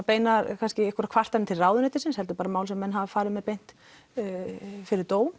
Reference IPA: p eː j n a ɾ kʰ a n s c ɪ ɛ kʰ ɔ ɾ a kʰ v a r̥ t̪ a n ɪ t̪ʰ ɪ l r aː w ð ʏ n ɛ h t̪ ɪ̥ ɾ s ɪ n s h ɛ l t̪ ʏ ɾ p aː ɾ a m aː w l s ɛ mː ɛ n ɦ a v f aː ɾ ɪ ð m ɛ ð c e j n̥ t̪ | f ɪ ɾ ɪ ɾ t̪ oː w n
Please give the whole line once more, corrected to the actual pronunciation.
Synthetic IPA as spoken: p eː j n a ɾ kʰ a n s c ɪ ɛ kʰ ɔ ɾ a kʰ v a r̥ t̪ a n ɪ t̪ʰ ɪ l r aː w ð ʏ n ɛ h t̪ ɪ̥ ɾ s ɪ n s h ɛ l t̪ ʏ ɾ p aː ɾ a m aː w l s ɛ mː ɛ n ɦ a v f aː ɾ ɪ ð m ɛ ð p e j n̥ t̪ | f ɪ ɾ ɪ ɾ t̪ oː w n